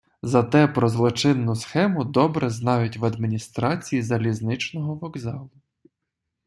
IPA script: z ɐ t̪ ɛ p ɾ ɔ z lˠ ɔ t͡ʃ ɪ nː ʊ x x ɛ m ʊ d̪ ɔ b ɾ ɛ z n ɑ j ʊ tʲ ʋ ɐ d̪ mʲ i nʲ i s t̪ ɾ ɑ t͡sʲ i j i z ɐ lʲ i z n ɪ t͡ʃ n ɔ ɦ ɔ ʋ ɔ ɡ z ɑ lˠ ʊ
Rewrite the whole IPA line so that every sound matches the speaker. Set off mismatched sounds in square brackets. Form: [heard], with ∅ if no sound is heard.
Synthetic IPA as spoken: z ɐ t̪ ɛ p ɾ ɔ z lˠ ɔ t͡ʃ ɪ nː ʊ [s] x ɛ m ʊ d̪ ɔ b ɾ ɛ z n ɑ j ʊ tʲ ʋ ɐ d̪ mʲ i nʲ i s t̪ ɾ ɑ t͡sʲ i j i z ɐ lʲ i z n ɪ t͡ʃ n ɔ ɦ ɔ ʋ ɔ ɡ z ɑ lˠ ʊ